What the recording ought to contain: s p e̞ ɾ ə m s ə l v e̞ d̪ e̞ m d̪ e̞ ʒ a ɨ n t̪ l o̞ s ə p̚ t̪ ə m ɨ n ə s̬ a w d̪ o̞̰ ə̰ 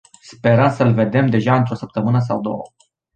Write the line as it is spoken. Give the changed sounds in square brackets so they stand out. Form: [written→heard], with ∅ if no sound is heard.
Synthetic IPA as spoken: s p e̞ ɾ ə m s ə l v e̞ d̪ e̞ m d̪ e̞ ʒ a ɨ n t̪ [l→ɾ] o̞ s ə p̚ t̪ ə m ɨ n ə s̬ a w d̪ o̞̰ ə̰